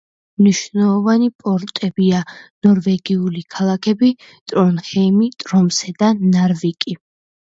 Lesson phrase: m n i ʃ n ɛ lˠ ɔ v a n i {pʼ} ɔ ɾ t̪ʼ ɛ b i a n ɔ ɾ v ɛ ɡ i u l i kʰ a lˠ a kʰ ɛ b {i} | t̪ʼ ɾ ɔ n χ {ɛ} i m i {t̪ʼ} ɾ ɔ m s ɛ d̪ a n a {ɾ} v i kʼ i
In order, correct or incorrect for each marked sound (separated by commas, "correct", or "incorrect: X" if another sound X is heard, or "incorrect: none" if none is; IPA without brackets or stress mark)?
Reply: correct, correct, correct, correct, correct